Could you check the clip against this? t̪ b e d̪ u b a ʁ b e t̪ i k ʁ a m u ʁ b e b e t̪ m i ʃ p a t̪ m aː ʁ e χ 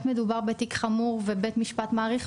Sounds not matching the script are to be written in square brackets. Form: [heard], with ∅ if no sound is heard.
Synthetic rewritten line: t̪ [m] e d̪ u b a ʁ b e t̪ i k [χ] a m u ʁ [v] e b e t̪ m i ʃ p a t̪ m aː ʁ [i] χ